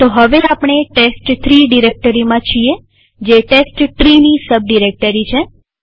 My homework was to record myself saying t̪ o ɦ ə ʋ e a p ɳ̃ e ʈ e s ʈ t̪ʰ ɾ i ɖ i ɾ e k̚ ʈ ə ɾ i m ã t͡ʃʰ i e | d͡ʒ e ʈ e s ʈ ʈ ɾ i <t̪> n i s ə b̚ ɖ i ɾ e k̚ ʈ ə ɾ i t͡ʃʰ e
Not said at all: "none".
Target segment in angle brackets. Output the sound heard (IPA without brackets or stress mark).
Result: none